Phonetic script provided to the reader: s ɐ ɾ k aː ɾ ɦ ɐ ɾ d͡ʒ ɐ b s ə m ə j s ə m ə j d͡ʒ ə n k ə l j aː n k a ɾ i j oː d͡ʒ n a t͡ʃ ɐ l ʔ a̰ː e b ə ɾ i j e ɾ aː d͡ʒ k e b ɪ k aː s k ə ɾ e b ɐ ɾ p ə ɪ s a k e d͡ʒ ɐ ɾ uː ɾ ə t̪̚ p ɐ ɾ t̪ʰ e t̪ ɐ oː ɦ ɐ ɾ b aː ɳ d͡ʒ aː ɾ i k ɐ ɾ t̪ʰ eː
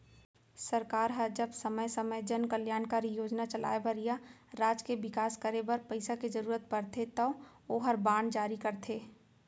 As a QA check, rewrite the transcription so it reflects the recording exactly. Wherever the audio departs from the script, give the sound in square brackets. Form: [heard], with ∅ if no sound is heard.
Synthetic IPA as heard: s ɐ ɾ k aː ɾ ɦ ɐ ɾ d͡ʒ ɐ b s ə m ə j s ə m ə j d͡ʒ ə n k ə l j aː n k a ɾ i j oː d͡ʒ n a t͡ʃ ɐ l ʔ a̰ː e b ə ɾ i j [a] ɾ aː d͡ʒ k e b ɪ k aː s k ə ɾ e b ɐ ɾ p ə ɪ s a k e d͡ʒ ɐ ɾ uː ɾ ə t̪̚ p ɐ ɾ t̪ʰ e t̪ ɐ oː ɦ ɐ ɾ b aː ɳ d͡ʒ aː ɾ i k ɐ ɾ t̪ʰ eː